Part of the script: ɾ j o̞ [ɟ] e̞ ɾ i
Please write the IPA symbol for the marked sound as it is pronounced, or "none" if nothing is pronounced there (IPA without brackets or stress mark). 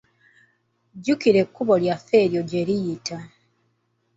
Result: ɟ